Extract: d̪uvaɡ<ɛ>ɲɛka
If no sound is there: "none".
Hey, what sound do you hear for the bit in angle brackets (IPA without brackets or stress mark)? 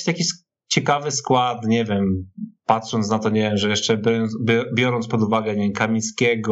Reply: ɛ